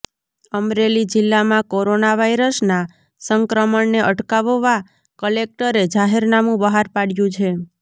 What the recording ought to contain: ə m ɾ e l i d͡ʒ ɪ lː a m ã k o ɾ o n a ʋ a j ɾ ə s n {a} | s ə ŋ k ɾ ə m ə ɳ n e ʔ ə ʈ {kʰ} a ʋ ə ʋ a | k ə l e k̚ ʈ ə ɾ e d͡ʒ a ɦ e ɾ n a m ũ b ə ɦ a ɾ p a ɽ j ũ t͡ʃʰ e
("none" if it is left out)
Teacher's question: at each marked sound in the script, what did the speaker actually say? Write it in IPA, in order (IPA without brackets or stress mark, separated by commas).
a, k